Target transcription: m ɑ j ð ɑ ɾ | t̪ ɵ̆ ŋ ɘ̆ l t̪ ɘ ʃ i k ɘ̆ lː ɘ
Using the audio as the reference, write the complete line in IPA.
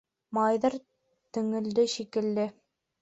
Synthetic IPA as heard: m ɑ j ð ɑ ɾ | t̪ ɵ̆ ŋ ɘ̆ l d̪ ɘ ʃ i k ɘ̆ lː ɘ